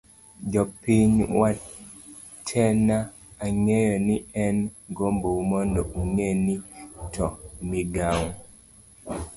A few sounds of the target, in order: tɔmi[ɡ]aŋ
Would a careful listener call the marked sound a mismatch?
no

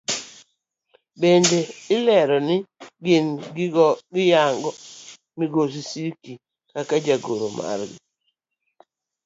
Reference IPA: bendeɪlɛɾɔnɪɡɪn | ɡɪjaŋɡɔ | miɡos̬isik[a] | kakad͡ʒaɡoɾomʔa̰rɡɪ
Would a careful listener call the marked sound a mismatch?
yes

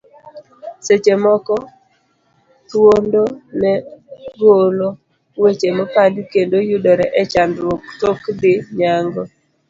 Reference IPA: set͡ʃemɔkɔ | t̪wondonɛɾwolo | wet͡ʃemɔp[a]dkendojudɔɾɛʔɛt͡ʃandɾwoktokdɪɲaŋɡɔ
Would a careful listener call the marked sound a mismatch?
no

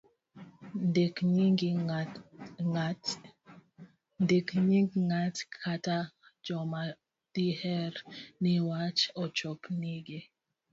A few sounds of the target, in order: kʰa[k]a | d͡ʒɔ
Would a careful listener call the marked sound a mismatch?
yes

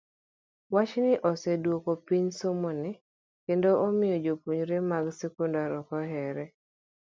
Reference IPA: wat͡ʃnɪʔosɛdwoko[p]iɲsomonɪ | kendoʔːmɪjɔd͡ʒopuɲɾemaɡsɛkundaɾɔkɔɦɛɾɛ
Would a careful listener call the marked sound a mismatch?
no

